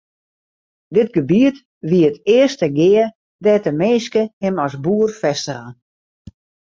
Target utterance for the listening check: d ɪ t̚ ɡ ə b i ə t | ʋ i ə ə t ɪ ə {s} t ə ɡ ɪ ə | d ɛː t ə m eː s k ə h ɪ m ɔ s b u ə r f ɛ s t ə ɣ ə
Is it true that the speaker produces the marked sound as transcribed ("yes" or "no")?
yes